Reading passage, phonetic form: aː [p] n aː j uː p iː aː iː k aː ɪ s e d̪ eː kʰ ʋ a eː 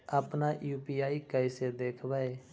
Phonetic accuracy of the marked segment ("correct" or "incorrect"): correct